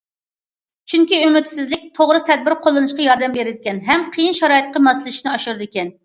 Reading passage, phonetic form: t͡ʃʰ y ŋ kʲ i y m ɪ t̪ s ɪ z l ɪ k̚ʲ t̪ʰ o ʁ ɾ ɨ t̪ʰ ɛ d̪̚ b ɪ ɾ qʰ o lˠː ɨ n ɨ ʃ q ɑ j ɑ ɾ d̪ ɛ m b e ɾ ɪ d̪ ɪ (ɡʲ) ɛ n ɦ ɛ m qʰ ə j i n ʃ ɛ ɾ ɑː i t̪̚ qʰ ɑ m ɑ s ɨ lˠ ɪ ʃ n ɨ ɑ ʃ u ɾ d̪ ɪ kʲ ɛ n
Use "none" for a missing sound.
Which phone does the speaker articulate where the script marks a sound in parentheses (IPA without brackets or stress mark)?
kʲ